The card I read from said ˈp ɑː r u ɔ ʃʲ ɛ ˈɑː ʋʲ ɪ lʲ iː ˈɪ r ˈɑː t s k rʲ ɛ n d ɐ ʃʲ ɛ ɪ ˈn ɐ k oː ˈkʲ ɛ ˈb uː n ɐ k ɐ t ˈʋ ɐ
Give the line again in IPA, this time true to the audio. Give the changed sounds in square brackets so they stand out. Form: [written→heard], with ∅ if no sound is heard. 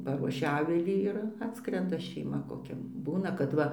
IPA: ˈp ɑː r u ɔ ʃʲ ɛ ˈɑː ʋʲ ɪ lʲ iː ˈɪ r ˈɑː t s k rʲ ɛ n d ɐ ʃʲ ɛ ɪ [ˈn→ˈm] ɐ k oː ˈkʲ ɛ ˈb uː n ɐ k ɐ t ˈʋ ɐ